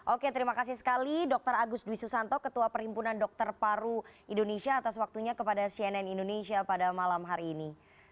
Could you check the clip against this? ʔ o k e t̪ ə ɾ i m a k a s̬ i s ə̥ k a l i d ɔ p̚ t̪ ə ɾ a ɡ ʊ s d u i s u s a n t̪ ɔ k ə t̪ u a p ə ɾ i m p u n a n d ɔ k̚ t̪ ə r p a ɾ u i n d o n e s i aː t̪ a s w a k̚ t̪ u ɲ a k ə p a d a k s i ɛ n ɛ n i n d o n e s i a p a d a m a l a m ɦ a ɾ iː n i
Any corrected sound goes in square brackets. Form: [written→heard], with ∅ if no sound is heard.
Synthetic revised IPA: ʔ o k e t̪ ə ɾ i m a k a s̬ i s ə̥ k a l i d ɔ [p̚→k̚] t̪ ə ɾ a ɡ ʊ s d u i s u s a n t̪ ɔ k ə t̪ u a p ə ɾ i m p u n a n d ɔ k̚ t̪ ə r p a ɾ u i n d o n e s i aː t̪ a s w a k̚ t̪ u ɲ a k ə p a d a [k→∅] s i ɛ n ɛ n i n d o n e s i a p a d a m a l a m ɦ a ɾ iː n i